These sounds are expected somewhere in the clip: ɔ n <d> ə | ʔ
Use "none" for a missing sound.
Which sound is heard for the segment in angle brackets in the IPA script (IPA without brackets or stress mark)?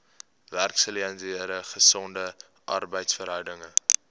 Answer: d